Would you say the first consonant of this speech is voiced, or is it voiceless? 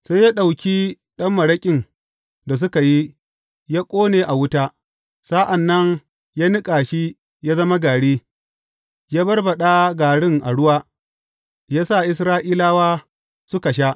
voiceless